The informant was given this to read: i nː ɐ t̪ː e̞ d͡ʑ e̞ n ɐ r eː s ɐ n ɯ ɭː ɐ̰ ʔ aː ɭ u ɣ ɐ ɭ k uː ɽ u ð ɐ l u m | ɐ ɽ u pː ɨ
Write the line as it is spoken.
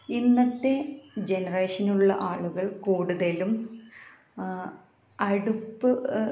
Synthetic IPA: i nː ɐ t̪ː e̞ d͡ʑ e̞ n ɐ r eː ʂ ɐ n u ɭː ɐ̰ ʔ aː ɭ u ɣ ɐ ɭ k uː ɽ u ð ɐ l u m | ɐ ɽ u pː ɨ